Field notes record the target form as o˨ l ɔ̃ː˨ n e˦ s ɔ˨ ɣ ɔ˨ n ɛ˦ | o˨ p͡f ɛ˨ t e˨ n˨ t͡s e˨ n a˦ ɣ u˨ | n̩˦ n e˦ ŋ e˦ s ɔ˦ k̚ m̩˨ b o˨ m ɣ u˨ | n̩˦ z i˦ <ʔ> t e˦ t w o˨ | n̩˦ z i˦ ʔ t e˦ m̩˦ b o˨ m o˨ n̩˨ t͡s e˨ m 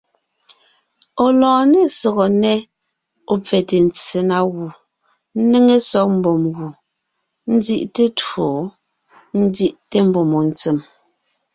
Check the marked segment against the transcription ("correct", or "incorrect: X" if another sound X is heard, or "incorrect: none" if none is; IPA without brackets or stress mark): correct